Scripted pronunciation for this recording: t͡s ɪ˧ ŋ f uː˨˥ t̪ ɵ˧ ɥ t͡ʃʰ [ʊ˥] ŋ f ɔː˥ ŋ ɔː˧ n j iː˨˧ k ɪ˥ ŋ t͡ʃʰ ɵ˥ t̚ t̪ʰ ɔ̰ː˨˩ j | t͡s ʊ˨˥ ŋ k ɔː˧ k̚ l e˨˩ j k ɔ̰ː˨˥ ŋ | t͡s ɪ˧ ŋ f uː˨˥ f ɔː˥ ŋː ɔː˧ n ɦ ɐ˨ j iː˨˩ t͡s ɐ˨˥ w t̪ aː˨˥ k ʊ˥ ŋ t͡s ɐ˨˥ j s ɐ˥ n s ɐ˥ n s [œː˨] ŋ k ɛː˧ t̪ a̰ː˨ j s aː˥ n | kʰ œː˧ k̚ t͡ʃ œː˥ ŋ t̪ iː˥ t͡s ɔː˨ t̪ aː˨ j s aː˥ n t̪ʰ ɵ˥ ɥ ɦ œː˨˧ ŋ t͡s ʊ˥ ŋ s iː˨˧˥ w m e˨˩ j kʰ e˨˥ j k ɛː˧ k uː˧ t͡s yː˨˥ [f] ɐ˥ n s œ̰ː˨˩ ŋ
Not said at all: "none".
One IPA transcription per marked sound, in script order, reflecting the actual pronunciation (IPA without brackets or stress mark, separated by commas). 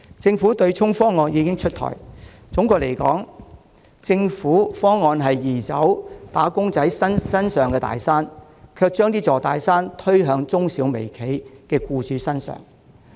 ʊ˥, œː˨, s